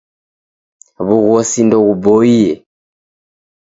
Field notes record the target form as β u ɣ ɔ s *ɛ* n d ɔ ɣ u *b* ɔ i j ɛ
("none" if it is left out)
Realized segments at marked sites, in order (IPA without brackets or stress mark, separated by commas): i, b